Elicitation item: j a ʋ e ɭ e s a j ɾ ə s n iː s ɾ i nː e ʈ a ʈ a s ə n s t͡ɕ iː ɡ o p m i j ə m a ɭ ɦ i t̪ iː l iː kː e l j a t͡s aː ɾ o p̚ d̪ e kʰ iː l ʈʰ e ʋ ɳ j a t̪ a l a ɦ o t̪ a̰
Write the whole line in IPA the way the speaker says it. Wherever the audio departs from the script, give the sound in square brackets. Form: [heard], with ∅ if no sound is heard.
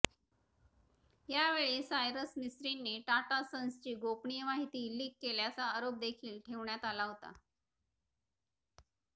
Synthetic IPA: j a ʋ e ɭ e s a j ɾ ə s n [i] s ɾ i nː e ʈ a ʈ a s ə n s t͡ɕ iː ɡ o p [ɳ] i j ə m a [∅] ɦ i t̪ iː l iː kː e l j a t͡s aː ɾ o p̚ d̪ e kʰ iː l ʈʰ e ʋ ɳ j a t̪ a l a ɦ o t̪ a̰